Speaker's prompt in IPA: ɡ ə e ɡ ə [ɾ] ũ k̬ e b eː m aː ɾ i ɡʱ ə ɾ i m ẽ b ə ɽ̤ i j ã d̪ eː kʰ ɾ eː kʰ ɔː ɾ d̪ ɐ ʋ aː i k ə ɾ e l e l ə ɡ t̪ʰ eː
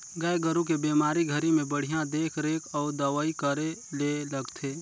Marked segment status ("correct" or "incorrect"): correct